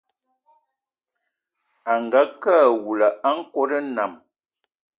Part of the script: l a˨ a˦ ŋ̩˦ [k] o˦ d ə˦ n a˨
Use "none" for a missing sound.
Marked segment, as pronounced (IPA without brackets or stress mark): k